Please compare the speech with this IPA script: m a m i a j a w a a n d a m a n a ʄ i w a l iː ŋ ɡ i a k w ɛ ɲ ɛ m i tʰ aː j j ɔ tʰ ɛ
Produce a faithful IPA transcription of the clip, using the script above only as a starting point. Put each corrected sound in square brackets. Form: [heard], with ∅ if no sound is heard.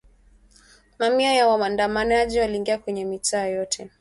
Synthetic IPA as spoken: m a m i a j a w a a n d a m a n a ʄ i w a l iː ŋ ɡ i a k w ɛ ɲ ɛ m i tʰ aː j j ɔ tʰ ɛ